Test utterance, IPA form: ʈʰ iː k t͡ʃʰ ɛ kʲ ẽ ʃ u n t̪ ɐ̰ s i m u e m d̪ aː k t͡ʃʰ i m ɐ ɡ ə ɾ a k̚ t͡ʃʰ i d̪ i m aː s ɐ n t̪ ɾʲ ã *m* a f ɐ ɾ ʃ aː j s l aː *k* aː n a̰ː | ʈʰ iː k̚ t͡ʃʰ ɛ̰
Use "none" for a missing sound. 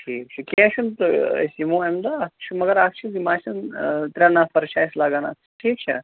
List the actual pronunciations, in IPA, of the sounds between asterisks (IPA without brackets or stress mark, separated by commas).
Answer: n, ɡ